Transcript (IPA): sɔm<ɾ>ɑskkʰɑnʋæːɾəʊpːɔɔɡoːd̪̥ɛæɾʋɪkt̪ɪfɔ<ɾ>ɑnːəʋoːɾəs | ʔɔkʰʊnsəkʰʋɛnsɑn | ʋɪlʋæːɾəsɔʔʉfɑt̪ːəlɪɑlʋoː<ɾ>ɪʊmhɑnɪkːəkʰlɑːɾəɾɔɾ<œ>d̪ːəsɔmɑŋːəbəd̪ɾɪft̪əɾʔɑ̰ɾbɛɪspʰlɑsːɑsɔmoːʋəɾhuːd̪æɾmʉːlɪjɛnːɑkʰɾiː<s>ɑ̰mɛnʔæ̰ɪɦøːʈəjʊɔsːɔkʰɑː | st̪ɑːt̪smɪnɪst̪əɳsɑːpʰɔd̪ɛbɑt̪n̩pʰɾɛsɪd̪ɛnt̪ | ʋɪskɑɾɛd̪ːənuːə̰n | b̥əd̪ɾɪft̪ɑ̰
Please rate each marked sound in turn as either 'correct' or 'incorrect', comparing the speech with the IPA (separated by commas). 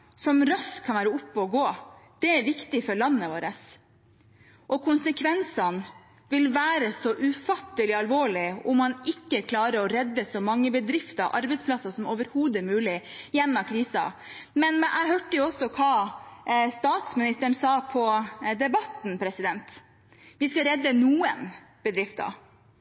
correct, incorrect, incorrect, incorrect, correct